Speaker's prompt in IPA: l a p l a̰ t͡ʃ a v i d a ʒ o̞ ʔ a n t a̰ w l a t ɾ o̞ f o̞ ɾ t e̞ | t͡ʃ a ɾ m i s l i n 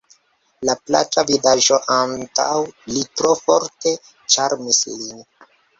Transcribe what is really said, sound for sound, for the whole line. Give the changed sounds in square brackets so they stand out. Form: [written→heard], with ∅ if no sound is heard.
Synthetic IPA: l a p l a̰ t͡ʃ a v i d a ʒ o̞ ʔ a n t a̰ w l [a→i] t ɾ o̞ f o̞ ɾ t e̞ | t͡ʃ a ɾ m i s l i n